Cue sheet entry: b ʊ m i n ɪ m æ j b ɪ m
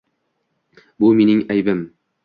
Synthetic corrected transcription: b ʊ m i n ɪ ŋ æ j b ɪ m

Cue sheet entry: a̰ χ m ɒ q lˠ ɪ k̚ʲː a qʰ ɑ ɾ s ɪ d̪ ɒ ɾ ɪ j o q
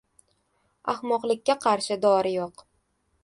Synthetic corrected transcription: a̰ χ m ɒ q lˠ ɪ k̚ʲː a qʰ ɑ ɾ ʃ ɪ d̪ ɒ ɾ ɪ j o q

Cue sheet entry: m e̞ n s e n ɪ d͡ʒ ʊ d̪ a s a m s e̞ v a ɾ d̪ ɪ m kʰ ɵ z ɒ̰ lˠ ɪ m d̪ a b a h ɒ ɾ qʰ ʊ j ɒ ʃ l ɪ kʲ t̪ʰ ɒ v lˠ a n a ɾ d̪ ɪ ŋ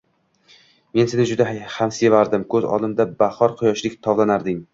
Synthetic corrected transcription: m e̞ n s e n ɪ d͡ʒ ʊ d̪ a h a m s e̞ v a ɾ d̪ ɪ m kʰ ɵ z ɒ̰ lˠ ɪ m d̪ a b a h ɒ ɾ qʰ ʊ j ɒ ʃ l ɪ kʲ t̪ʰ ɒ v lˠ a n a ɾ d̪ ɪ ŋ

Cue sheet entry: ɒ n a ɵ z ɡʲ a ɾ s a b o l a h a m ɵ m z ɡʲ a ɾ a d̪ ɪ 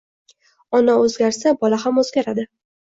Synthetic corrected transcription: ɒ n a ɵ z ɡʲ a ɾ s a b ɒ l a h a m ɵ z ɡʲ a ɾ a d̪ ɪ

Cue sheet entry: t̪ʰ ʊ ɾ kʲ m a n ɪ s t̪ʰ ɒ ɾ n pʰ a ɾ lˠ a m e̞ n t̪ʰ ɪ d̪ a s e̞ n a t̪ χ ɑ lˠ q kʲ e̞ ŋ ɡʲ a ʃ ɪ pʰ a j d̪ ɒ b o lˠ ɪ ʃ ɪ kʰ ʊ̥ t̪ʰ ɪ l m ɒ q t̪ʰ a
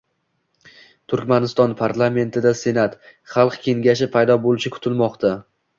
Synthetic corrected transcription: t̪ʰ ʊ ɾ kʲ m a n ɪ s t̪ ɒ n pʰ a ɾ lˠ a m e̞ n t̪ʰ ɪ d̪ a s e̞ n a t̪ χ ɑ lˠ q kʲ e̞ ŋ ɡʲ a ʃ ɪ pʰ a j d̪ ɒ b o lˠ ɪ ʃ ɪ kʰ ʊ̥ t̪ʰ ɪ l m ɒ q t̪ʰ a

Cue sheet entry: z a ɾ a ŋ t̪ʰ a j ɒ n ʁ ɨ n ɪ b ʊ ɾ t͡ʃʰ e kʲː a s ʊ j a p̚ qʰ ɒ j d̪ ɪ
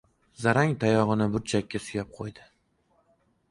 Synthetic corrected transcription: z a ɾ a ŋ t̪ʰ a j ɒ ʁ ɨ n ɪ b ʊ ɾ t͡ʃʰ a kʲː a s ʊ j a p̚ qʰ o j d̪ ɪ

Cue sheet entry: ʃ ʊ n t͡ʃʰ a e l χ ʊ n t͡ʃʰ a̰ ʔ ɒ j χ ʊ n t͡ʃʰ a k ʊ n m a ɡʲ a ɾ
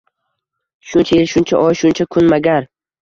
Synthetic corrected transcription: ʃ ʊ n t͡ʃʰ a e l ʃ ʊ n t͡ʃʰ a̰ ʔ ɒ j ʃ ʊ n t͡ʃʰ a kʰ ʊ n m a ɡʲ a ɾ

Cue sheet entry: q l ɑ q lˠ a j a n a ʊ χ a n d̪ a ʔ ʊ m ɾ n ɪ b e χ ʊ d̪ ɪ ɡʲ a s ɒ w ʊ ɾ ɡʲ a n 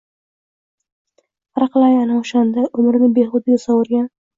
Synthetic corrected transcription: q ɾ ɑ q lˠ a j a n a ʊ ʃ a n d̪ a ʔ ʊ m ɾ n ɪ b e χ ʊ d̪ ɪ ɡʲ a s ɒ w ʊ ɾ ɡʲ a n

